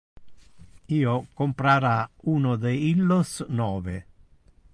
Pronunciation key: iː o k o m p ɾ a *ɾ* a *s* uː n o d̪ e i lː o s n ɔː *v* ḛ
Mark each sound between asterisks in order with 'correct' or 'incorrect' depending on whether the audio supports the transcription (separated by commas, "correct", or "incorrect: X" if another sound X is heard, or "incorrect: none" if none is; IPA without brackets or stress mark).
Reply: correct, incorrect: none, correct